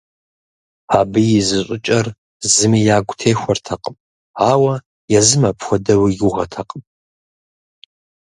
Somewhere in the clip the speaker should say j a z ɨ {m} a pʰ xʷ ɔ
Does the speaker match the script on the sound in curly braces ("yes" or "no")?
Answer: yes